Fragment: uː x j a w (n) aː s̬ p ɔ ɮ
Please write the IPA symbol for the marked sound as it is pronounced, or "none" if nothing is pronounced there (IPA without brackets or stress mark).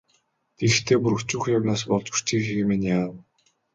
n